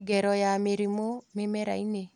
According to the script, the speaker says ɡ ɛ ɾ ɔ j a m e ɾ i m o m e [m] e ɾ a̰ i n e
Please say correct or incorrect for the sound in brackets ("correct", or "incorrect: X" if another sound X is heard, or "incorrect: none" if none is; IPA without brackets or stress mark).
correct